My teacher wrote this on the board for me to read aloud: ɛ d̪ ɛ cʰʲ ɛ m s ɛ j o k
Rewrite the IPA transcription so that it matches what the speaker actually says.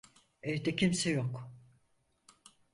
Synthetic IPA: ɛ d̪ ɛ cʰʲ i m s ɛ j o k